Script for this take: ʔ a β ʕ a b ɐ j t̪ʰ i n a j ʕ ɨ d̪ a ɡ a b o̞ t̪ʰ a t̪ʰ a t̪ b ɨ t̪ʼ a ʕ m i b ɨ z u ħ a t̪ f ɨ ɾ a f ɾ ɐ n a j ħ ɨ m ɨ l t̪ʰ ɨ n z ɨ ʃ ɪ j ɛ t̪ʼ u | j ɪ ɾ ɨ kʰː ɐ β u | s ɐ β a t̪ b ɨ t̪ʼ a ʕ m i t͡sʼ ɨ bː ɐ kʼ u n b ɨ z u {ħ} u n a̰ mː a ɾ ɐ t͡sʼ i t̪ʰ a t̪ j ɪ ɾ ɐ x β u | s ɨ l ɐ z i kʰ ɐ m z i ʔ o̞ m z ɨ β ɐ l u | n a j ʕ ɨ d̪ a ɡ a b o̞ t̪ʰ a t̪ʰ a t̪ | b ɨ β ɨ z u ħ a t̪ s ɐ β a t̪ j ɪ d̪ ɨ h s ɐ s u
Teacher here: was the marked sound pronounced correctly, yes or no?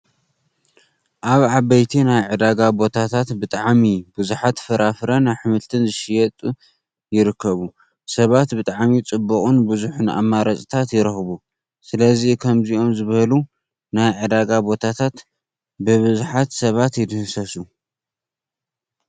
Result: yes